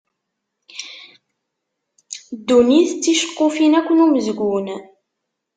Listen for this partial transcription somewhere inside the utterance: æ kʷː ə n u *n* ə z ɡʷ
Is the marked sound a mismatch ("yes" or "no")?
yes